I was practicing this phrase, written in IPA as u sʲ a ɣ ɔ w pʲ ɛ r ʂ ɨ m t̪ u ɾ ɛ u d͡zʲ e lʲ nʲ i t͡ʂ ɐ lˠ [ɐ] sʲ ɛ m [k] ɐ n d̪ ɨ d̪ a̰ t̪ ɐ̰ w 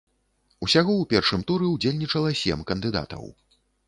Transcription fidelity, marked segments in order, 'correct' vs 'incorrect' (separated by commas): correct, correct